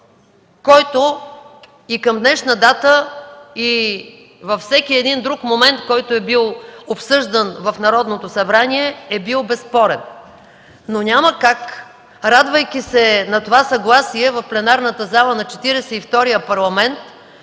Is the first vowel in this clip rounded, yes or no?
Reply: yes